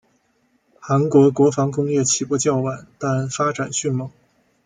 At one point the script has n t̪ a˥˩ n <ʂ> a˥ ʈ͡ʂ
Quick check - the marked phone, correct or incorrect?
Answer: incorrect